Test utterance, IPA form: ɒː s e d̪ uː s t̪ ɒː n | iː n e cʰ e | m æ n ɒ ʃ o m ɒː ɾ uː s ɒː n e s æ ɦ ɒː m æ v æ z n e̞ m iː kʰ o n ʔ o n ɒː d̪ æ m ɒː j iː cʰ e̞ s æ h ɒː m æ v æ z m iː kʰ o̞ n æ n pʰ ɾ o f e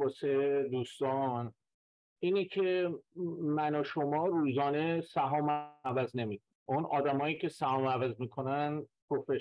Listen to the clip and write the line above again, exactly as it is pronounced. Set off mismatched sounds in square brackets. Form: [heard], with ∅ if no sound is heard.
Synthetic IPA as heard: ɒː s e d̪ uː s t̪ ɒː n | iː n e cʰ e | m æ n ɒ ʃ o m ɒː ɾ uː [z] ɒː n e s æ ɦ ɒː m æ v æ z n e̞ m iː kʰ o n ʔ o n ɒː d̪ æ m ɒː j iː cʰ e̞ s æ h ɒː m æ v æ z m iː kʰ o̞ n æ n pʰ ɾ o f e